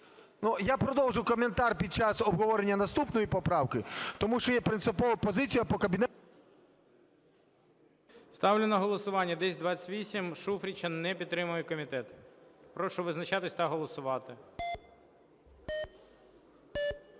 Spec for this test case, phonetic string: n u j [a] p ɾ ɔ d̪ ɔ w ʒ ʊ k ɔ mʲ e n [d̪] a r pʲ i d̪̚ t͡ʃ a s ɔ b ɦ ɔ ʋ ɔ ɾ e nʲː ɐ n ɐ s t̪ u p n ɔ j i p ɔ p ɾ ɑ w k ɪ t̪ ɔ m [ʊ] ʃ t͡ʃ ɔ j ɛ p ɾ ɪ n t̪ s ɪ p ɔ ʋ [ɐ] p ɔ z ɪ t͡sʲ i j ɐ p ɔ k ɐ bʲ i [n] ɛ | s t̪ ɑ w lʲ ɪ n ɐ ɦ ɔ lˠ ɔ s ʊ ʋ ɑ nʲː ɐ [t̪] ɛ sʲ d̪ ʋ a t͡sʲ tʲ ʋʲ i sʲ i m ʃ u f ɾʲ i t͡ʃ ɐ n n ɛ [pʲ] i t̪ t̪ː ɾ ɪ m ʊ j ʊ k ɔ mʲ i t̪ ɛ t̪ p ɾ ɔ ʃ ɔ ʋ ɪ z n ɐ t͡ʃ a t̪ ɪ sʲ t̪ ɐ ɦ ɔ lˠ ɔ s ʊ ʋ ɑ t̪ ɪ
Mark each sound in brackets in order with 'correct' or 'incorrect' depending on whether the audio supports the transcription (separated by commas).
correct, incorrect, incorrect, correct, correct, incorrect, correct